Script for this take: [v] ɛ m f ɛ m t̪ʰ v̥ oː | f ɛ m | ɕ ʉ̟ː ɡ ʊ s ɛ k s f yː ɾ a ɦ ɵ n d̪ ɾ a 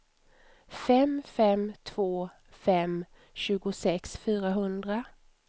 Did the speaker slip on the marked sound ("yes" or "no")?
yes